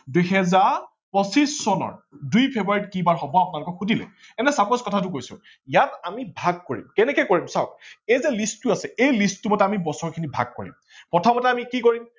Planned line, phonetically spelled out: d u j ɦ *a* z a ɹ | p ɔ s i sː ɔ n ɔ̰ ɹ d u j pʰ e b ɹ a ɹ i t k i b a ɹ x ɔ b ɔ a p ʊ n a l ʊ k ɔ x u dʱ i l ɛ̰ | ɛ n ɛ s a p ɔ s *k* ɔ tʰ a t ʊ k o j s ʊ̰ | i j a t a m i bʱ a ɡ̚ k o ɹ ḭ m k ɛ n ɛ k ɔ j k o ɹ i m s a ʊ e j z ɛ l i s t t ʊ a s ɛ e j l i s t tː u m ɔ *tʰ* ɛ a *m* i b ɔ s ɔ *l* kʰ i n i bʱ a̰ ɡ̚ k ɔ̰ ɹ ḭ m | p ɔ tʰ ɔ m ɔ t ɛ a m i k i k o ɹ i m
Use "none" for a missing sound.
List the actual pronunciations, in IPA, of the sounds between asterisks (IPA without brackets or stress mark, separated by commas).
ɛ, k, t, m, ɹ